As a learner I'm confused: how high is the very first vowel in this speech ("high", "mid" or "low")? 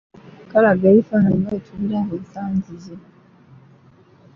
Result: low